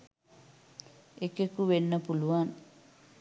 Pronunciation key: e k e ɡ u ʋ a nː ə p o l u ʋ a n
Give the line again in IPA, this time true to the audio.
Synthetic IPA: e k e k u ʋ e nː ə p u l u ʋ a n